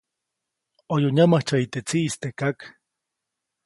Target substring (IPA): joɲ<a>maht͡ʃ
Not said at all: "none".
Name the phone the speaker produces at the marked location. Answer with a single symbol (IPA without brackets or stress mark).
a